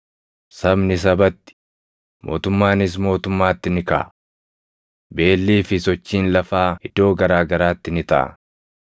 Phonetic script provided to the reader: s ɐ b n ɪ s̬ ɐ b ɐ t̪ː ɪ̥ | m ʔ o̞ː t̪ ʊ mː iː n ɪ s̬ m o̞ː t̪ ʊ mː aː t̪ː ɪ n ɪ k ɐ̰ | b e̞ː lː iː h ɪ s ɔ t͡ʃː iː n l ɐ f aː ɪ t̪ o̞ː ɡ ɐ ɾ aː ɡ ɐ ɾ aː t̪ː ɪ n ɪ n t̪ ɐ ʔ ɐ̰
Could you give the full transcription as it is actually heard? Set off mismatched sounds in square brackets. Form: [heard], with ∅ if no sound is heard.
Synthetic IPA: s ɐ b n ɪ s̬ ɐ b ɐ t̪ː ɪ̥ | m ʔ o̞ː t̪ ʊ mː [aː] n ɪ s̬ m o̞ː t̪ ʊ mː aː t̪ː ɪ n ɪ k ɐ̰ | b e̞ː lː iː [f] ɪ s ɔ t͡ʃː iː n l ɐ f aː ɪ [d̪] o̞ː ɡ ɐ ɾ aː ɡ ɐ ɾ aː t̪ː ɪ n ɪ [∅] t̪ ɐ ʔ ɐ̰

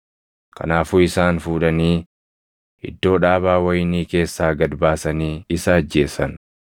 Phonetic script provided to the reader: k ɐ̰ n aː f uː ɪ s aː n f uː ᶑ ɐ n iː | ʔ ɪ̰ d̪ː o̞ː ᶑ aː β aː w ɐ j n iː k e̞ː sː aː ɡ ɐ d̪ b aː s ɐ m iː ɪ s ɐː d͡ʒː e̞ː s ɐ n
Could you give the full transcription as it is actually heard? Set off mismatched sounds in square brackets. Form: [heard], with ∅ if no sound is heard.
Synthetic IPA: k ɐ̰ n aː f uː ɪ s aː n f uː ᶑ ɐ n iː | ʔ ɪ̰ d̪ː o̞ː ᶑ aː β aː w ɐ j n iː k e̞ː sː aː ɡ ɐ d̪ b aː s ɐ [n] iː ɪ s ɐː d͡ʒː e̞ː s ɐ n

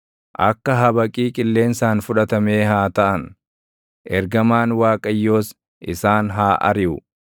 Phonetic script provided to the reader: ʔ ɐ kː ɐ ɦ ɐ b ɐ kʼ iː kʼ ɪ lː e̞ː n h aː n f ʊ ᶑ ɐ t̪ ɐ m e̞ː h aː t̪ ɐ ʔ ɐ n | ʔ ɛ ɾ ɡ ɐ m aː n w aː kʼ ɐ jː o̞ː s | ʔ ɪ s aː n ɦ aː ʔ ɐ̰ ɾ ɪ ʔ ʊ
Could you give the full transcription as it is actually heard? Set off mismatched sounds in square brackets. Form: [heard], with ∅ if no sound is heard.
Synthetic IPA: ʔ ɐ kː ɐ ɦ ɐ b ɐ kʼ iː kʼ ɪ lː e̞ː n [s] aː n f ʊ ᶑ ɐ t̪ ɐ m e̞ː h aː t̪ ɐ ʔ ɐ n | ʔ ɛ ɾ ɡ ɐ m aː n w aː kʼ ɐ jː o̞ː s | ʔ ɪ s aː n ɦ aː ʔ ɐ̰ ɾ ɪ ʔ ʊ

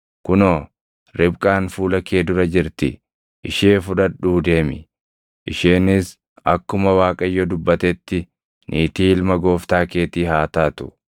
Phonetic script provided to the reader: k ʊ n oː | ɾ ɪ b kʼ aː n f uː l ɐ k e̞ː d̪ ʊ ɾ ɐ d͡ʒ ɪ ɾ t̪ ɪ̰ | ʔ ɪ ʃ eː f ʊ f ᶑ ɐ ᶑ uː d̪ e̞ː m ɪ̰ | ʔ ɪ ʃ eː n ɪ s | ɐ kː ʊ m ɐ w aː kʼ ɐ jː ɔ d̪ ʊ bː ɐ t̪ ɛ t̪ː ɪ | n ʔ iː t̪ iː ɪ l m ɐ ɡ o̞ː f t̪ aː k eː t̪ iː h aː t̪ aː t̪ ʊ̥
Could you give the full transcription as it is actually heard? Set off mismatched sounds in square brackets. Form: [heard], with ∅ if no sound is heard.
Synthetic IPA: k ʊ n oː | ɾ ɪ b kʼ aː n f uː l ɐ k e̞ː d̪ ʊ ɾ ɐ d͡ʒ ɪ ɾ t̪ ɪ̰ | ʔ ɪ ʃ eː f ʊ [∅] ᶑ ɐ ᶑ uː d̪ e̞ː m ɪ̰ | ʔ ɪ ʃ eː n ɪ s | ɐ kː ʊ m ɐ w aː kʼ ɐ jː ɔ d̪ ʊ bː ɐ t̪ ɛ t̪ː ɪ | n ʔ iː t̪ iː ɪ l m ɐ ɡ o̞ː f t̪ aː k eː t̪ iː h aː t̪ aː t̪ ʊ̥

